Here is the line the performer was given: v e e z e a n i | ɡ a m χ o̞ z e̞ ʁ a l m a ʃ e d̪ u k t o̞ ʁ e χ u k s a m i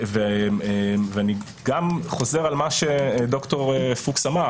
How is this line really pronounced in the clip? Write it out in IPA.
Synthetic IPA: v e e v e a n i | ɡ a m χ o̞ z e̞ ʁ a l m a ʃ e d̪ o k t o̞ ʁ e f u k s a m a